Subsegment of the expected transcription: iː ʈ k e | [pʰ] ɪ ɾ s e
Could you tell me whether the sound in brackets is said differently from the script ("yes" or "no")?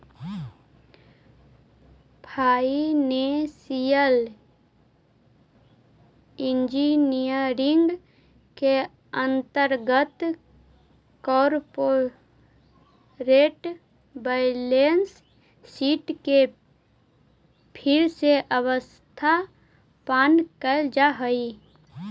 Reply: no